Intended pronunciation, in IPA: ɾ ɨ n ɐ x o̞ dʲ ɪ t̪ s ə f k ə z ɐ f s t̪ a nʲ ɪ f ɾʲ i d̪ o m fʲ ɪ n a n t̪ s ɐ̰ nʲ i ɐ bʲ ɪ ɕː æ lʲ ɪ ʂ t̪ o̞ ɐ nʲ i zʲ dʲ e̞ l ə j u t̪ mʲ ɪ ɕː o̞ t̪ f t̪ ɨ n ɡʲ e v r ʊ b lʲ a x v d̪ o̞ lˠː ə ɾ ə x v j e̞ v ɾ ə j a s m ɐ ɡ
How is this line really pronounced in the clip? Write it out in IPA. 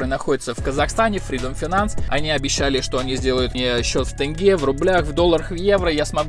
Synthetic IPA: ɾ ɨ n ɐ x o̞ dʲ ɪ t̪ s ə f k ə z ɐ x s t̪ a nʲ ɪ f ɾʲ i d̪ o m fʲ ɪ n a n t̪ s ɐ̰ nʲ i ɐ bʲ ɪ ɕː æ lʲ ɪ ʂ t̪ o̞ ɐ nʲ i zʲ dʲ e̞ l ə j ʊ t̪ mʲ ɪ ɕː o̞ t̪ f t̪ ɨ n ɡʲ e v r ʊ b lʲ a x v d̪ o̞ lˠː ə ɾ ə x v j e̞ v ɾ ə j a s m ɐ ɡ